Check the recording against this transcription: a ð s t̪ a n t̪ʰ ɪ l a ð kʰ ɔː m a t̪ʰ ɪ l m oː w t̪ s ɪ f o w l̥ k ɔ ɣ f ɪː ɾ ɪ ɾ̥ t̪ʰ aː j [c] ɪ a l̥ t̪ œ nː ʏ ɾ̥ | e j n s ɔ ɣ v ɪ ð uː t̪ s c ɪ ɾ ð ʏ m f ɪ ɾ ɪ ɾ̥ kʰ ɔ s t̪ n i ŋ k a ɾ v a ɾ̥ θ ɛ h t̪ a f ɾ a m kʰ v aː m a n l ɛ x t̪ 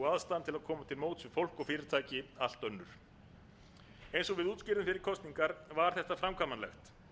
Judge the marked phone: correct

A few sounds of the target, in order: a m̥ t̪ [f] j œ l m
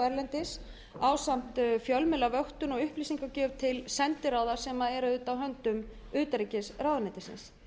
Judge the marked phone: correct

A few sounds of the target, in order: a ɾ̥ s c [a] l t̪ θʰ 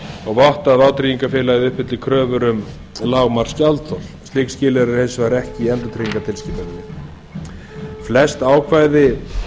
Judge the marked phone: correct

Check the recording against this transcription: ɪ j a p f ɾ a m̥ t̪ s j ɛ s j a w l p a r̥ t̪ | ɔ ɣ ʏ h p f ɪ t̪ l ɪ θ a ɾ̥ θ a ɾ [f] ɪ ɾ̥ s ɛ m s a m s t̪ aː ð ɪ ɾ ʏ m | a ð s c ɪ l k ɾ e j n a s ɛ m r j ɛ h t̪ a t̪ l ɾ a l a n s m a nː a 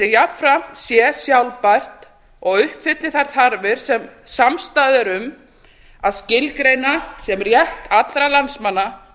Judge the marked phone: incorrect: v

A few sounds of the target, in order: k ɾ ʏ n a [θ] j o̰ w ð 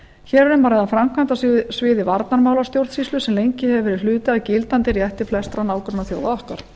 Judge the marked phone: correct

